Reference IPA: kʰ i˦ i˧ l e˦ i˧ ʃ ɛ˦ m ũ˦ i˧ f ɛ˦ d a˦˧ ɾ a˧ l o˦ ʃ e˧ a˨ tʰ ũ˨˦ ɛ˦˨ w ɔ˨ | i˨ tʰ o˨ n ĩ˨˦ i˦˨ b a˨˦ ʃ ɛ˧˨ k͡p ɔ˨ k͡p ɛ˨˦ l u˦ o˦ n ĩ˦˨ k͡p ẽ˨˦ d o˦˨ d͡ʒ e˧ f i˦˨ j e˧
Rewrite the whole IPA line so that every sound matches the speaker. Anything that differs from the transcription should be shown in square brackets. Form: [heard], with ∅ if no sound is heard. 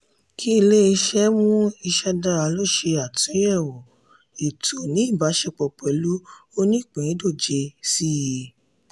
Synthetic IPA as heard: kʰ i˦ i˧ l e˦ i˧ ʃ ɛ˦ m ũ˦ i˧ [ʃ] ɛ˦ d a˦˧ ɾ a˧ l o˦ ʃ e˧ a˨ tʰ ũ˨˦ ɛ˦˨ w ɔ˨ | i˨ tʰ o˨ n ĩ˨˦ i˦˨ b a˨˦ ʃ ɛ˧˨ k͡p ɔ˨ k͡p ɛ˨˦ l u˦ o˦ n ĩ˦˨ k͡p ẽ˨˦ d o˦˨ d͡ʒ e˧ [s] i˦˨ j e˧